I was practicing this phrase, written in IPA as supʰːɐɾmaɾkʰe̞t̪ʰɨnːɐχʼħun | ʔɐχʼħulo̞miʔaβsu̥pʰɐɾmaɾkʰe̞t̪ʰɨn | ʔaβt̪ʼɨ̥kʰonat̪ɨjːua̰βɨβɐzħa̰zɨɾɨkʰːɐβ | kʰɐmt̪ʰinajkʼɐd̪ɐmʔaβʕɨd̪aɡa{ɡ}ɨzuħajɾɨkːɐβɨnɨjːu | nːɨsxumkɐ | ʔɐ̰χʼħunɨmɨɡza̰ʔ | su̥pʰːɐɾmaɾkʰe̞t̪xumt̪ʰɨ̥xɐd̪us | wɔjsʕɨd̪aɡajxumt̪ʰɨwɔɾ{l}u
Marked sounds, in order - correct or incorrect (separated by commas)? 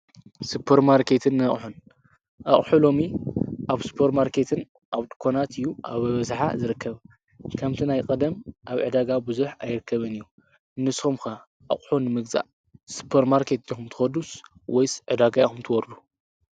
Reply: incorrect, correct